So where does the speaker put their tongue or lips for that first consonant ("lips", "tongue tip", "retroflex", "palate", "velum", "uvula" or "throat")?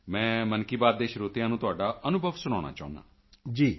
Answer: lips